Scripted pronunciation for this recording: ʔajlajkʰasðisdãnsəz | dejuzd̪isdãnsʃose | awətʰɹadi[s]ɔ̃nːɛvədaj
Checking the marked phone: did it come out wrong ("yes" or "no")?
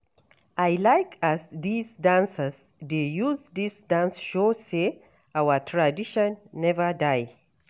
yes